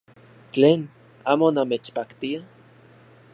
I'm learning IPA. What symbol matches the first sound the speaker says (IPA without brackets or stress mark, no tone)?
t͡ɬ